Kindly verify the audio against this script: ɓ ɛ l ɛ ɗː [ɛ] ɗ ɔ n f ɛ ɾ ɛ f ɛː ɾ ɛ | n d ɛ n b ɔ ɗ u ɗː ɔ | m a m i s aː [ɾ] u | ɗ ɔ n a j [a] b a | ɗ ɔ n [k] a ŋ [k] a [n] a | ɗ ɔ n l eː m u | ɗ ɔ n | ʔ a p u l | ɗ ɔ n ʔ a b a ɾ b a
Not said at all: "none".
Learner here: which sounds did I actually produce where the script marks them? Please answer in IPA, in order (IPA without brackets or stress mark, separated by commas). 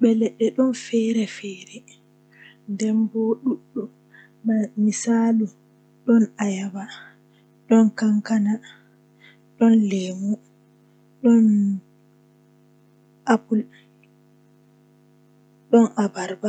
ɛ, l, a, k, k, n